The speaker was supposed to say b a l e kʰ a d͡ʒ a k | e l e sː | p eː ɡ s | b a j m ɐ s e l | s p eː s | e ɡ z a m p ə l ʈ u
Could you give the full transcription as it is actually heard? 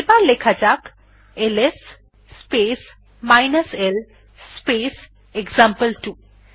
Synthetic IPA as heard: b a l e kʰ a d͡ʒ a k | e l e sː | p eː s | m a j n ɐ s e l | s p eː s | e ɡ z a m p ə l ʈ u